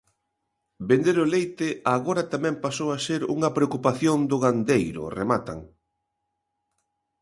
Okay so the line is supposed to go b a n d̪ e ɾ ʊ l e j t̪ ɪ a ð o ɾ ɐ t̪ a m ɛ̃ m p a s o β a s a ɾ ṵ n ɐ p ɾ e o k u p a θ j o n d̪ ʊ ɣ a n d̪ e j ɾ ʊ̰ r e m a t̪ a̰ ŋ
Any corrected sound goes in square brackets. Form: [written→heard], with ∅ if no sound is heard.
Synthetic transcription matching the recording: b [a→e] n d̪ e ɾ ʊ l e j t̪ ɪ a [ð→ɣ] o ɾ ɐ t̪ a m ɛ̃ m p a s o [β→w] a s [a→e] ɾ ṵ [n→ŋ] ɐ p ɾ e o k u p a θ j o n d̪ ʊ ɣ a n d̪ e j ɾ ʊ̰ r e m a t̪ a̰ ŋ